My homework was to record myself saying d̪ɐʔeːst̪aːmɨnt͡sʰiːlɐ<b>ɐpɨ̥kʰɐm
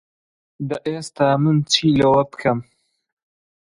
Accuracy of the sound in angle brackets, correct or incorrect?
incorrect